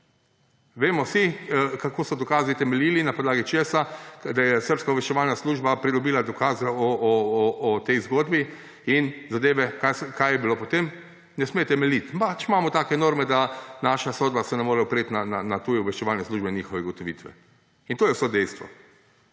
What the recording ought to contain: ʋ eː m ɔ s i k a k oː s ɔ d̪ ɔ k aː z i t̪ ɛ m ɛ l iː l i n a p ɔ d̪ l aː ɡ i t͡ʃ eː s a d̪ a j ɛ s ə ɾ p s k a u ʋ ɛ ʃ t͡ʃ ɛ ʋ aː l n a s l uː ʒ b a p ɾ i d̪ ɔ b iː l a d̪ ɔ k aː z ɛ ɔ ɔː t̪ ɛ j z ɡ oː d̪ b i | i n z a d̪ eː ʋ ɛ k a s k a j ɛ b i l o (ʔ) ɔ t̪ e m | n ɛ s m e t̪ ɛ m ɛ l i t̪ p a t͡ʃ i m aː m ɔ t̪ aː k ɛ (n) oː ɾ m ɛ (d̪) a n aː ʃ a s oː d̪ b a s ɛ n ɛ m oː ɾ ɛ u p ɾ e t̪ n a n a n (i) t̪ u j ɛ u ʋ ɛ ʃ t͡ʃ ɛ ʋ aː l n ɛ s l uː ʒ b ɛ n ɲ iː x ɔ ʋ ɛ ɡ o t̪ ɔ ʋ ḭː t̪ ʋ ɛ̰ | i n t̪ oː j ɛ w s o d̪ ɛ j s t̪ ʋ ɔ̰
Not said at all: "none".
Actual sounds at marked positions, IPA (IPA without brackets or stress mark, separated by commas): p, n, d̪, a